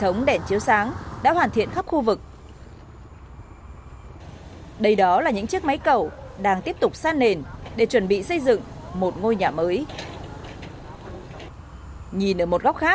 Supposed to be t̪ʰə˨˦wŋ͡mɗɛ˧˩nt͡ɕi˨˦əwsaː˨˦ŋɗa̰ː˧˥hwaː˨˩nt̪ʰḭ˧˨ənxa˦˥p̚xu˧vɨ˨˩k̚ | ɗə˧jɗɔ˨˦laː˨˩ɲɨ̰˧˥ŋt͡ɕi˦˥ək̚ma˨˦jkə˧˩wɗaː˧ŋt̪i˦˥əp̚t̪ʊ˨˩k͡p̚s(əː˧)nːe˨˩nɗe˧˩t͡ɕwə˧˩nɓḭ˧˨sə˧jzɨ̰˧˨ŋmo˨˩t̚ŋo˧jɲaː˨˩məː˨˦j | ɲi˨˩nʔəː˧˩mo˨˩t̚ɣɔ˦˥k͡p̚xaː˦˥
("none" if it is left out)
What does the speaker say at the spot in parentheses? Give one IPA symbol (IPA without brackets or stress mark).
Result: aː˧